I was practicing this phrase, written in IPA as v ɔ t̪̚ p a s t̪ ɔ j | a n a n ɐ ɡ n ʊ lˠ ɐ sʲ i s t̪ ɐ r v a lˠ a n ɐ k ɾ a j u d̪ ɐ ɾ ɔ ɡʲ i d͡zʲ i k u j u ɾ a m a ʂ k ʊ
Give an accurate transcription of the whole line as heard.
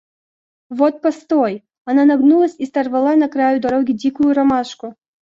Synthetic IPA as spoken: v ɔ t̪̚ p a s t̪ ɔ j | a n a n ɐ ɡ n u lˠ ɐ sʲ i s t̪ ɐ r v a lˠ a n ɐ k ɾ a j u d̪ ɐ ɾ ɔ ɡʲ i d͡zʲ i k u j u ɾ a m a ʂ k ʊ